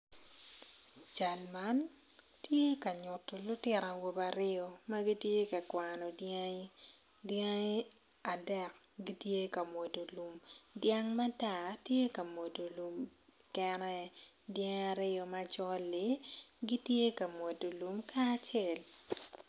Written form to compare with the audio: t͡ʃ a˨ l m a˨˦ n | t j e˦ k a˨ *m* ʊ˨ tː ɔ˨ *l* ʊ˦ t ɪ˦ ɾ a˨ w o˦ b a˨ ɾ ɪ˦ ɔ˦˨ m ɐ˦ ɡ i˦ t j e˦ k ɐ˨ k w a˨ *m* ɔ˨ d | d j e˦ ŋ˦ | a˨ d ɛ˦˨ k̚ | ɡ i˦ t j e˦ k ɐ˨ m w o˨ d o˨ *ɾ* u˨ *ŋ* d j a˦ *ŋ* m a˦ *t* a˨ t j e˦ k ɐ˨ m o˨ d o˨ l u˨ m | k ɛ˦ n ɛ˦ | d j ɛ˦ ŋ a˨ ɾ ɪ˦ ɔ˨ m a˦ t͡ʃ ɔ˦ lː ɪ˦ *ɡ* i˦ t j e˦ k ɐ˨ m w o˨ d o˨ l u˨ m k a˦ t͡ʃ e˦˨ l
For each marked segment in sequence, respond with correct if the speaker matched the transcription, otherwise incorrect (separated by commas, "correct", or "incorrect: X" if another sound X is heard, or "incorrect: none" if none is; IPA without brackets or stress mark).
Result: incorrect: ɲ, correct, incorrect: n, incorrect: l, incorrect: m, correct, correct, correct